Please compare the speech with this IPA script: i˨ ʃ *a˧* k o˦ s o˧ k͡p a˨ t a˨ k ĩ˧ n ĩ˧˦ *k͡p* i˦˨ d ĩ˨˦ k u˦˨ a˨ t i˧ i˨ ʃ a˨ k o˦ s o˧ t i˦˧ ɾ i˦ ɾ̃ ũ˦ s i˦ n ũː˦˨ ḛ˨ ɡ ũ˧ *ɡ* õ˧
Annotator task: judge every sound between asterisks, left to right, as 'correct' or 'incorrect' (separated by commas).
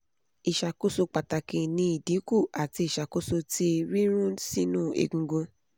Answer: correct, incorrect, correct